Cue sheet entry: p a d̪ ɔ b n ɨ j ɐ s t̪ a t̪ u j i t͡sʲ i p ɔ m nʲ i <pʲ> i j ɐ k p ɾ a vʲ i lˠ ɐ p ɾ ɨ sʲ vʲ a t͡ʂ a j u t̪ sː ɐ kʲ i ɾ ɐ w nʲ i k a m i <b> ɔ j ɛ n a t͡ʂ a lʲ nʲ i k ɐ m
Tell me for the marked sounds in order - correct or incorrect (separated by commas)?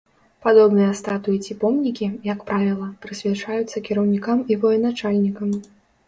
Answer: incorrect, incorrect